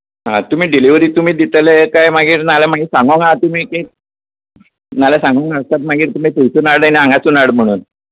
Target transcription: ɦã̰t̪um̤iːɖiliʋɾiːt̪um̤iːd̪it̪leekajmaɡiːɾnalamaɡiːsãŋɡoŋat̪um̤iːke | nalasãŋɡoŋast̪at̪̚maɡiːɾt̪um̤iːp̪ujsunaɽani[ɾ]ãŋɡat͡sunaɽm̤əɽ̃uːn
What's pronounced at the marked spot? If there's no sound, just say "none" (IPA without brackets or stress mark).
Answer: none